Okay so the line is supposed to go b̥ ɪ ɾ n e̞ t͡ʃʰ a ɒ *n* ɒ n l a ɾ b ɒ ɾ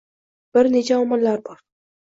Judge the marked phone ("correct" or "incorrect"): incorrect